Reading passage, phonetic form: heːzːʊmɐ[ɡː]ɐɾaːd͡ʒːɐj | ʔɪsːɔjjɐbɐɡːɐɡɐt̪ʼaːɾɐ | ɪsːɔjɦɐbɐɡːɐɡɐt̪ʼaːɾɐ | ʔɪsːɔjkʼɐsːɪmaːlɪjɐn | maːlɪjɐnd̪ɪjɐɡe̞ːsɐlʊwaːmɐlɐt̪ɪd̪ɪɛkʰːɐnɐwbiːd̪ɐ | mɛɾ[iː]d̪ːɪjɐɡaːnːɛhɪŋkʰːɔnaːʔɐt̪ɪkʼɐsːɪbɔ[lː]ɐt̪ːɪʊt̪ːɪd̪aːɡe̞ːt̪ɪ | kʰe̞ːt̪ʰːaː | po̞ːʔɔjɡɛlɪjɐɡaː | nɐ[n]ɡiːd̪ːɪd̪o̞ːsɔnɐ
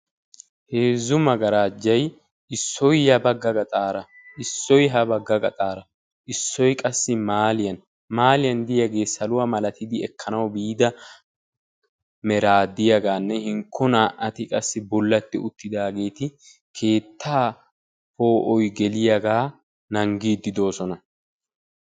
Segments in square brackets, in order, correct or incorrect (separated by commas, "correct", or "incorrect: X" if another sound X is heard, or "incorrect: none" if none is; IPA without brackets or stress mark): incorrect: ɡ, incorrect: aː, correct, incorrect: ŋ